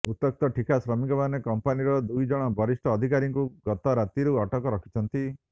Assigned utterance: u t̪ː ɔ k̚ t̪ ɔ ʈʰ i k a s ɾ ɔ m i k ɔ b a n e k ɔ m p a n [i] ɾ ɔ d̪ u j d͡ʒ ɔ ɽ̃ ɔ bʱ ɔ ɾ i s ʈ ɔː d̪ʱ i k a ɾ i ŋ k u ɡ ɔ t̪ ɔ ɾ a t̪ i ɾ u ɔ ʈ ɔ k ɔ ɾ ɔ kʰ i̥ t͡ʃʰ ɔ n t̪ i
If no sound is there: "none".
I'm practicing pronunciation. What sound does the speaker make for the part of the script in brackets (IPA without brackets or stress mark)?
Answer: i